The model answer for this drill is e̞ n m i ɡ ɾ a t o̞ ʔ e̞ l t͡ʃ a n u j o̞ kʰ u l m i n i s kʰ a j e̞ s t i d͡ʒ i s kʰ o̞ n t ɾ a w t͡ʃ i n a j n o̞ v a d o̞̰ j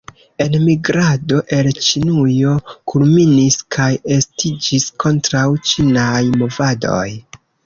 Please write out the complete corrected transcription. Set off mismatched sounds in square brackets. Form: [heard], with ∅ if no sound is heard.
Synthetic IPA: e̞ n m i ɡ ɾ a [d] o̞ ʔ e̞ l t͡ʃ [i] n u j o̞ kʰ u l m i n i s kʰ a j e̞ s t i d͡ʒ i s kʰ o̞ n t ɾ a w t͡ʃ i n a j [m] o̞ v a d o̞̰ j

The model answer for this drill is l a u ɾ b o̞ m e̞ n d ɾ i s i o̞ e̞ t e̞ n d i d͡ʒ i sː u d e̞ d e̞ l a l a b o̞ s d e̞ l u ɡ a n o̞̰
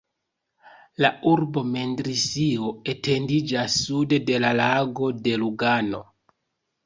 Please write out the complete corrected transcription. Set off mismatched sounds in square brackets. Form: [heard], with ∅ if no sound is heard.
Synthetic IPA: l a u ɾ b o̞ m e̞ n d ɾ i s i o̞ e̞ t e̞ n d i d͡ʒ [a] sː u d e̞ d e̞ l a l a [ɡ] o̞ [∅] d e̞ l u ɡ a n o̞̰

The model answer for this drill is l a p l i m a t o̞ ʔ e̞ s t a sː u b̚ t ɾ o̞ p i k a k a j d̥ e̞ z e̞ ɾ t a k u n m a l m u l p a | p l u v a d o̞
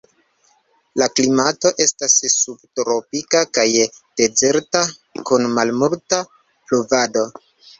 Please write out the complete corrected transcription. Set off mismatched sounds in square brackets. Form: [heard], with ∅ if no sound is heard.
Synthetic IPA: l a [k] l i m a t o̞ ʔ e̞ s t a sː u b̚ t ɾ o̞ p i k a k a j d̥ e̞ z e̞ ɾ t a k u n m a l m u l [t] a | p l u v a d o̞

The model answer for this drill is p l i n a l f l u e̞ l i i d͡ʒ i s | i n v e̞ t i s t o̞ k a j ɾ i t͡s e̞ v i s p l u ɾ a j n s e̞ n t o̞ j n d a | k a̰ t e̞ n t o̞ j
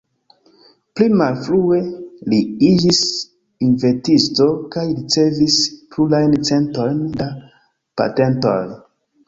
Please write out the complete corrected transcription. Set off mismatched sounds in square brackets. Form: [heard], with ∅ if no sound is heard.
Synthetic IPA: p l i [m] a l f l u e̞ l i i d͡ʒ i s | i n v e̞ t i s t o̞ k a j ɾ i t͡s e̞ v i s p l u [l] a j n [t͡s] e̞ n t o̞ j n d a | [p] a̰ t e̞ n t o̞ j

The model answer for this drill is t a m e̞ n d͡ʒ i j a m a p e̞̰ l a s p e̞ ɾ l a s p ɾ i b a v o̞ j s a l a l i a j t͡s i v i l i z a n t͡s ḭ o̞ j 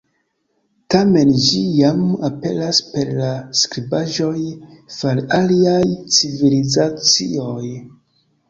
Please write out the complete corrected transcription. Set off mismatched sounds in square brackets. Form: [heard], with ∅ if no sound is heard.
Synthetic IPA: t a m e̞ n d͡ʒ i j a m a p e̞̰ l a s p e̞ ɾ l a s [k] ɾ i b a [ʒ] o̞ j [f] a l a l i a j t͡s i v i l i z a [∅] t͡s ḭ o̞ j

